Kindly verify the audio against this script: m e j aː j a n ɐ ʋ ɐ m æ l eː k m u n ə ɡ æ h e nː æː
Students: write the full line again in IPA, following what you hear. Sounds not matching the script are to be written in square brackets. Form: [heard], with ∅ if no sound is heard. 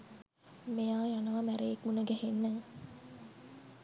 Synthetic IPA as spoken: m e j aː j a n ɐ ʋ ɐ m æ [ɾ] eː k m u n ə ɡ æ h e nː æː

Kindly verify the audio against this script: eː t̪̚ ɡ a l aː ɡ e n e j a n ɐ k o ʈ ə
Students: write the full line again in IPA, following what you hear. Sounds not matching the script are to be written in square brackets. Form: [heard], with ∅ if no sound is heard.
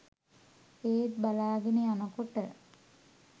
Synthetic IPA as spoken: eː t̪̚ [b] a l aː ɡ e n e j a n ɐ k o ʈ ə

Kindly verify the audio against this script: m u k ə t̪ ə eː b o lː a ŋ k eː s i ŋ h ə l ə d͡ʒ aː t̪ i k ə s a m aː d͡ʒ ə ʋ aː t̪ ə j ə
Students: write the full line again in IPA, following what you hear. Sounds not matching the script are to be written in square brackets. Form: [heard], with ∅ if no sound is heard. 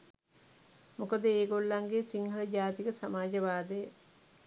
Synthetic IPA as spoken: m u k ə [d̪] ə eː [ɡ] o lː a ŋ [ɡ] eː s i ŋ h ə l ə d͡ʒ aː t̪ i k ə s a m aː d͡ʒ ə ʋ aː [d̪] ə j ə

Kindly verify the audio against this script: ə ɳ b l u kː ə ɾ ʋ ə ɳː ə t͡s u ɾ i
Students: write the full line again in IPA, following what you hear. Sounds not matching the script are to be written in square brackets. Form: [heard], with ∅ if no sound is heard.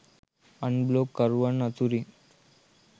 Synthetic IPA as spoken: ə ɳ b l [o] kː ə ɾ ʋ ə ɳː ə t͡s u ɾ i

